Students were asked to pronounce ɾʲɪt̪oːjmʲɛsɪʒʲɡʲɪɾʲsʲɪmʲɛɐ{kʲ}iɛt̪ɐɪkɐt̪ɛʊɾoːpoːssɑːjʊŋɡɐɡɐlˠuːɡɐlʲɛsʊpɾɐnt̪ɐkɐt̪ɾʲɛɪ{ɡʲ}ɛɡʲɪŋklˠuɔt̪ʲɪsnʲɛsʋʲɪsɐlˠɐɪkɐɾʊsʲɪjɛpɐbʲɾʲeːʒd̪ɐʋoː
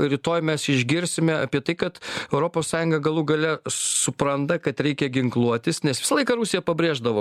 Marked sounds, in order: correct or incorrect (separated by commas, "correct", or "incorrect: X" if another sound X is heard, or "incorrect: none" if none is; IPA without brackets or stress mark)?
incorrect: pʲ, incorrect: kʲ